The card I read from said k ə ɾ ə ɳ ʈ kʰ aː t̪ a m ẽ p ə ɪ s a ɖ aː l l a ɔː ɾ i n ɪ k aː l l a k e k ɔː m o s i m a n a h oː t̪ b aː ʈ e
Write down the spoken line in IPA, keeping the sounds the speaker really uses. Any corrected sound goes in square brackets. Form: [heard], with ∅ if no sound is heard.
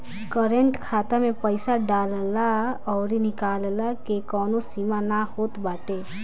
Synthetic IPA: k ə ɾ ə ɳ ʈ kʰ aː t̪ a m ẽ p ə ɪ s a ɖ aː l l a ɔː ɾ i n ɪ k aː l l a k e k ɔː [n] o s i m a n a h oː t̪ b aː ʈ e